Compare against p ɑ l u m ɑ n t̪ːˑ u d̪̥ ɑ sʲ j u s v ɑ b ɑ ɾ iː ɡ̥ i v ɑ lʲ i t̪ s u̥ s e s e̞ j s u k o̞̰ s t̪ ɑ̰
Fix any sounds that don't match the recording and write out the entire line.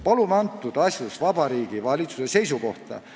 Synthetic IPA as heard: p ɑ l u m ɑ n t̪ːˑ u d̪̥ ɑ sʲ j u s v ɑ b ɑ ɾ iː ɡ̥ i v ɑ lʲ i t̪ s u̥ s e s e̞ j s u k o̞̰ h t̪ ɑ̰